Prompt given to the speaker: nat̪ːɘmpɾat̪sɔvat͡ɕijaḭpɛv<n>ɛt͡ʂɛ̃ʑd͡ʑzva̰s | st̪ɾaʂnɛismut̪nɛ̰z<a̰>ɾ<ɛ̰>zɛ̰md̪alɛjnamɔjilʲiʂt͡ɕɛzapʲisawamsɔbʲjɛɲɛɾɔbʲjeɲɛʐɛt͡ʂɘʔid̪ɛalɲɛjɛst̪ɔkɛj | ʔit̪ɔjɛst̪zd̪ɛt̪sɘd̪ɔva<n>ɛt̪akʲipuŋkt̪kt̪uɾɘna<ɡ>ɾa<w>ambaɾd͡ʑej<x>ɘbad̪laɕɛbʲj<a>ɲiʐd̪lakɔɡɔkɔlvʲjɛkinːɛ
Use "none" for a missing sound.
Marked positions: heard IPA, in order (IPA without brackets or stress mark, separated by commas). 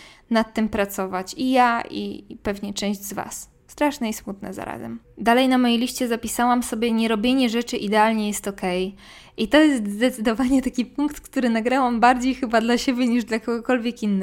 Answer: ɲ, a̰, a̰, ɲ, ɡ, w, x, ɛ